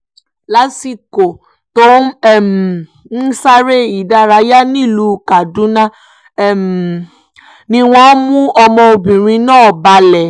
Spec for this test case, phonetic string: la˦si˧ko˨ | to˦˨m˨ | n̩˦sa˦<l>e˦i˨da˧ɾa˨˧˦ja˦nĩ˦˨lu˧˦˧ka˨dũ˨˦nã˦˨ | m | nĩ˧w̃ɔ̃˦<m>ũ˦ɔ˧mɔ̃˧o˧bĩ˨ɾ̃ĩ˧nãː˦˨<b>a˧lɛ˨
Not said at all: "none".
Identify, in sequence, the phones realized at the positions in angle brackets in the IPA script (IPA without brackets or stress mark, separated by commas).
ɾ, m, b